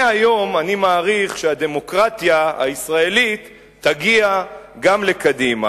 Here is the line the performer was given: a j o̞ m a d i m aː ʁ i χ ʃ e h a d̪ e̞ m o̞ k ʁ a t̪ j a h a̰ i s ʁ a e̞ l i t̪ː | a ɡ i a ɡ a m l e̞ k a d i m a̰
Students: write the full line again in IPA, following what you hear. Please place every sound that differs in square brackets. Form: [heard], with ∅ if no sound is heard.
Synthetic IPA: a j o̞ m a [n] i m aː ʁ i χ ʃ e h a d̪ e̞ m o̞ k ʁ a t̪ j a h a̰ i s ʁ a e̞ l i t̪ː | a ɡ i a ɡ a m l e̞ k a d i m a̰